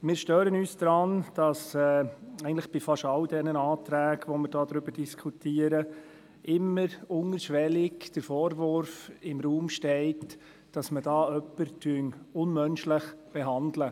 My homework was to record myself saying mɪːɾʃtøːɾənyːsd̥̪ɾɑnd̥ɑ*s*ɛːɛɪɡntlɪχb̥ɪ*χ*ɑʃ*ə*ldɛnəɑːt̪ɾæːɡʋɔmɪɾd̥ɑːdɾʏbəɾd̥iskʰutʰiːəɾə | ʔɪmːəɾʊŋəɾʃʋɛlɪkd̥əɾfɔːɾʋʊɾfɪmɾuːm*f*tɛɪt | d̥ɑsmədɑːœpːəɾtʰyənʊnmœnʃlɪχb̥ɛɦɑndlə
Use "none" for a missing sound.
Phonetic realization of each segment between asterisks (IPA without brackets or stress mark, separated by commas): s, f, ɑ, ʃ